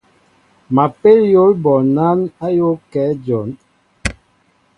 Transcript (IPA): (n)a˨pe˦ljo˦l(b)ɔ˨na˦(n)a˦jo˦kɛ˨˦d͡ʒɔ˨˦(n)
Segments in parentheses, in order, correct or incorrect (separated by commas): incorrect, correct, correct, correct